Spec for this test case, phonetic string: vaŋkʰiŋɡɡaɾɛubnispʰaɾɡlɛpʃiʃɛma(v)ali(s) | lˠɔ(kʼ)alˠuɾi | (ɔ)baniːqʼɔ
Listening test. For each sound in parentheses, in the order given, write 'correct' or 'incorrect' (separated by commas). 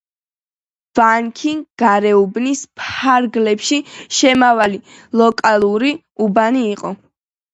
correct, incorrect, correct, incorrect